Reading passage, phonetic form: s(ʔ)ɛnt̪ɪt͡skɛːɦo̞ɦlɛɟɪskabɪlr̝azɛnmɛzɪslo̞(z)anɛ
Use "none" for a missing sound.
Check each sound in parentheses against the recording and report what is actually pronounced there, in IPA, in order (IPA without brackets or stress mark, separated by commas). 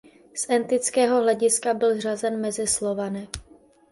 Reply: ʔ, v